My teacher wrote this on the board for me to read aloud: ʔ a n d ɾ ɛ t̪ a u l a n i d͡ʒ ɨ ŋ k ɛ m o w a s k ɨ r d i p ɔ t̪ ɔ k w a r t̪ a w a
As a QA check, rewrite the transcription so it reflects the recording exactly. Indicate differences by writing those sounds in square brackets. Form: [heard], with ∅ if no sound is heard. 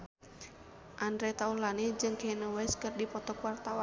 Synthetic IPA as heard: ʔ a n d ɾ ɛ t̪ a u l a n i d͡ʒ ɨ ŋ k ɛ [n] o w [ɛ] s k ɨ r d i p ɔ t̪ ɔ k w a r t̪ a w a